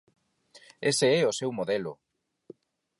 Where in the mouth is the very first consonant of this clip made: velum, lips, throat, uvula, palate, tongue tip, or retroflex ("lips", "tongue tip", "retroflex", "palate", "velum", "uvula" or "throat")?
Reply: tongue tip